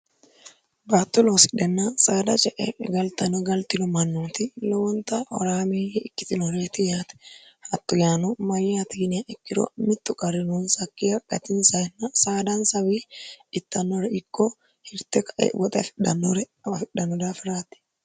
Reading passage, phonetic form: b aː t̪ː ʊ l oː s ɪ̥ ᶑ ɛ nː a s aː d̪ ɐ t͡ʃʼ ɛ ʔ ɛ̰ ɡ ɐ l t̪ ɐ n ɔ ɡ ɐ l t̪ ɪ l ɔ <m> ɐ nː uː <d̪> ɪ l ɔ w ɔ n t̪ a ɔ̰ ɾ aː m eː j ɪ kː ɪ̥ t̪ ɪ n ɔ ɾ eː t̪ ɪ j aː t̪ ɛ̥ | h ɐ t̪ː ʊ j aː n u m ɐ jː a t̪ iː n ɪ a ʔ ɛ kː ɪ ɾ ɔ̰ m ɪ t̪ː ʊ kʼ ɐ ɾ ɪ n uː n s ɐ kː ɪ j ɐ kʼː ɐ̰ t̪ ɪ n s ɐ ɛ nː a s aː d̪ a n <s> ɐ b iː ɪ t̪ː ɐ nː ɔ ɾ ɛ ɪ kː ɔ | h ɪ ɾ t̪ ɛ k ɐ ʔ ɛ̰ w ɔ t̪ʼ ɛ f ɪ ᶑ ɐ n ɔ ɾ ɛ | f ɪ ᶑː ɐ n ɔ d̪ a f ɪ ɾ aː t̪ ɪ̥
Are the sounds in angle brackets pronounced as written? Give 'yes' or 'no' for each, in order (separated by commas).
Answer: yes, no, yes